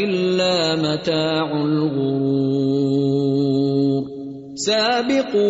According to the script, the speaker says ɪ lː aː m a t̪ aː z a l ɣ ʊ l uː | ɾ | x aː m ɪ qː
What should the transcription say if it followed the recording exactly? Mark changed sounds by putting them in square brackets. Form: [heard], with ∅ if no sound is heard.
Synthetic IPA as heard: ɪ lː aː m a t̪ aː [ʕ] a l ɣ ʊ [ɾ] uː | ɾ | [s] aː [b] ɪ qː